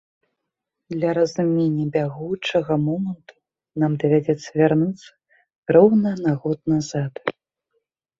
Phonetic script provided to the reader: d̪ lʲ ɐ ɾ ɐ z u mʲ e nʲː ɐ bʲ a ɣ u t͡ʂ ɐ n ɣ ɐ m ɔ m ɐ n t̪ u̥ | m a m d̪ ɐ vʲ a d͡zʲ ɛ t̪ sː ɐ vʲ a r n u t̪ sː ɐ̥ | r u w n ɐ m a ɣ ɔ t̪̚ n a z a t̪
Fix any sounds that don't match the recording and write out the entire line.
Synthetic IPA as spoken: d̪ lʲ ɐ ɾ ɐ z u mʲ e nʲː ɐ bʲ a ɣ u t͡ʂ ɐ ɣ ɐ m ɔ m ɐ n t̪ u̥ | n a m d̪ ɐ vʲ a d͡zʲ ɛ t̪ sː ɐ vʲ a r n u t̪ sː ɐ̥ | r ɔ w n ɐ n a ɣ ɔ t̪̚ n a z a t̪